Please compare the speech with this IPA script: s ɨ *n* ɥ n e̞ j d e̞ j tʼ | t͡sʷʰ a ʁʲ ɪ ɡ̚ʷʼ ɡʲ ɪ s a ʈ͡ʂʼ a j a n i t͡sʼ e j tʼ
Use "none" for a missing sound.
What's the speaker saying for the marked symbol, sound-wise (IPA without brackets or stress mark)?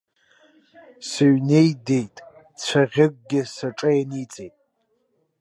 none